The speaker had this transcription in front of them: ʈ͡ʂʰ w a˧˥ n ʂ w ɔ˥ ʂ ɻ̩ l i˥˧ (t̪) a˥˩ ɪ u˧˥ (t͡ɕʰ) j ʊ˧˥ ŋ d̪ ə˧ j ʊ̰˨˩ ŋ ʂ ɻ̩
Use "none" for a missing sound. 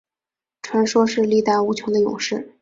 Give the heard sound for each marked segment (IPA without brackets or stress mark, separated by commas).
t̪, t͡ɕʰ